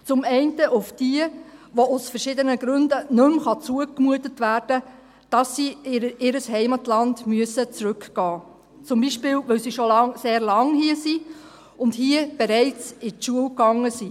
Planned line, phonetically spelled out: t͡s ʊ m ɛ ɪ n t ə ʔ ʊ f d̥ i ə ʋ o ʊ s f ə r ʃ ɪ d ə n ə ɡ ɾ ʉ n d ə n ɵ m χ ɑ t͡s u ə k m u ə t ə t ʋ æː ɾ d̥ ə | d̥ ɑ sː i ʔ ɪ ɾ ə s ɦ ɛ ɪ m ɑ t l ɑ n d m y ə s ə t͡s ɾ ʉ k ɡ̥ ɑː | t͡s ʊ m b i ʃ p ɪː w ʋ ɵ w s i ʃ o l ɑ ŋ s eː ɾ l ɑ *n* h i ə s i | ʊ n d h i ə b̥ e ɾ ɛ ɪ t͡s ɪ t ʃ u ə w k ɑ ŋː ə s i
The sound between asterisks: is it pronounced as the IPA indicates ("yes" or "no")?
no